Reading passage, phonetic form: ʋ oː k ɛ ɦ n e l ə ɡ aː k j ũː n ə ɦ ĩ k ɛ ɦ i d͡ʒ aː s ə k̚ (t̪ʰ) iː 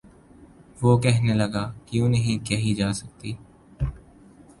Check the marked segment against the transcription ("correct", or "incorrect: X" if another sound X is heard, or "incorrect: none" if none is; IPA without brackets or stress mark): incorrect: t̪